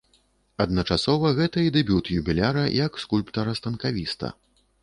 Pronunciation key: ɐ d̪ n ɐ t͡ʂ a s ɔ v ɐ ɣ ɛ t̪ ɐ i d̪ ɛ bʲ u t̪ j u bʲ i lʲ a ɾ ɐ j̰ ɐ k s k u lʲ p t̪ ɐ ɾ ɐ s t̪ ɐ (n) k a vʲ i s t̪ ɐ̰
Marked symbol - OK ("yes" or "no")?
yes